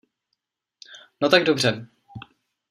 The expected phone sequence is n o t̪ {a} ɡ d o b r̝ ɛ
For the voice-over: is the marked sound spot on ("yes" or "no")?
yes